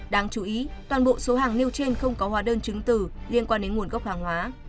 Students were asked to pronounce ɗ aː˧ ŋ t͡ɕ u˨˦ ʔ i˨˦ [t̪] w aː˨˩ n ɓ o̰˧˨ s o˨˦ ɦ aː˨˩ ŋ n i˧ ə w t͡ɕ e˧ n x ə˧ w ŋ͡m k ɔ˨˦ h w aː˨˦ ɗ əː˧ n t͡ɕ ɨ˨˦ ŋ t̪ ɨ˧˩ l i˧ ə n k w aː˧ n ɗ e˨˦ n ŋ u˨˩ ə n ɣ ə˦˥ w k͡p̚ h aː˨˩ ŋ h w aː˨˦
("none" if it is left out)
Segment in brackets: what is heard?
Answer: t̪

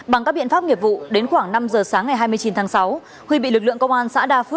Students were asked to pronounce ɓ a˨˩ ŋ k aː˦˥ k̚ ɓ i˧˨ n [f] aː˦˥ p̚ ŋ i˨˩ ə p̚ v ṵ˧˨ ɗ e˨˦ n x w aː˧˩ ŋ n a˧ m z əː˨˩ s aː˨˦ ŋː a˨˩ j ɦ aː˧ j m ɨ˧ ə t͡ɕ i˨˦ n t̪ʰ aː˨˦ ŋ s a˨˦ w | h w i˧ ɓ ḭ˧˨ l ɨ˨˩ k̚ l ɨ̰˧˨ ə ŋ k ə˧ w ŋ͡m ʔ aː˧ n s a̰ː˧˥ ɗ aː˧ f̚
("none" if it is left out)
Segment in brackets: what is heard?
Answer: f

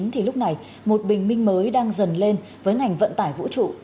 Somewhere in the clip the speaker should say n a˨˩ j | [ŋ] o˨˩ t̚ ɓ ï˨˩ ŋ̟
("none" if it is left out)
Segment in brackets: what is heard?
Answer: m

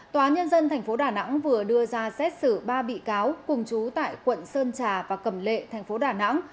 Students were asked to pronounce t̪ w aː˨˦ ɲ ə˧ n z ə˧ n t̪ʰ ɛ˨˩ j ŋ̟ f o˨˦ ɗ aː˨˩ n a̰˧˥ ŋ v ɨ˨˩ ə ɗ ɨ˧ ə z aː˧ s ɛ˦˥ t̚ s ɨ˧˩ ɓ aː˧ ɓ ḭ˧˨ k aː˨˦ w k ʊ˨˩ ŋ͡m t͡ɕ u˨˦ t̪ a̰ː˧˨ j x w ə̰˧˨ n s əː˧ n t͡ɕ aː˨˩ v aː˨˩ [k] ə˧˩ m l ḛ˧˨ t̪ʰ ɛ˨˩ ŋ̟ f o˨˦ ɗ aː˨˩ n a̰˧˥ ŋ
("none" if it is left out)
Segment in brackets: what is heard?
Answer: k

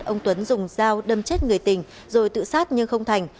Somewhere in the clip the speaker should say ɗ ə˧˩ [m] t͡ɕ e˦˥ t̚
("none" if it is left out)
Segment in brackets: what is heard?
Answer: m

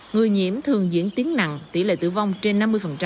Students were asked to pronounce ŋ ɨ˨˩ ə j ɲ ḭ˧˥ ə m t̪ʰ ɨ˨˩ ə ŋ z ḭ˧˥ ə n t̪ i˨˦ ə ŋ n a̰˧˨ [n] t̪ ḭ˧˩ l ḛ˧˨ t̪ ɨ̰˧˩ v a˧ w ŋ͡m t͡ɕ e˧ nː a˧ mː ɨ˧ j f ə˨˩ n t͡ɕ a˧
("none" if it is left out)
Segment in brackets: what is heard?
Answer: ŋ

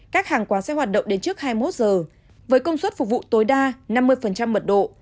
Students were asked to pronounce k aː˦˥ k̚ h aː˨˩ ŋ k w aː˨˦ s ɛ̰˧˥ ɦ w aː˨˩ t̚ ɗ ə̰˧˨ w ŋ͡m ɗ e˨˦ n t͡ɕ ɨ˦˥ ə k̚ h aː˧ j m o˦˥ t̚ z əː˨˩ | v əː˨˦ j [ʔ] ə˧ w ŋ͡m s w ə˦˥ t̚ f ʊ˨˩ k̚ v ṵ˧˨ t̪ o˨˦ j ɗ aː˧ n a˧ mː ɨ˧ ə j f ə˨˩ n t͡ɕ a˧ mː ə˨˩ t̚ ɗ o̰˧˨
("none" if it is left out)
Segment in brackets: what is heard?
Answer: k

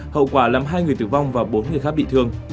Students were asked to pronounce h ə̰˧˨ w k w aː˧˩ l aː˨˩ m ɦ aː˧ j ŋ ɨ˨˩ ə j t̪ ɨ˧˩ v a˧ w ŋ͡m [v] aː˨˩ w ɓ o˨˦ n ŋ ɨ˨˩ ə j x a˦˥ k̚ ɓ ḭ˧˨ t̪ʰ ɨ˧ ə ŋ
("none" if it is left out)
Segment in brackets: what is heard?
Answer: v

